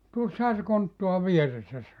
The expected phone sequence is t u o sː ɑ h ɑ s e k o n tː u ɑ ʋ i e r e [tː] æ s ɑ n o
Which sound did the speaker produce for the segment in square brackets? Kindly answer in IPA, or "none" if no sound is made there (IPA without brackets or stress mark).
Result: sː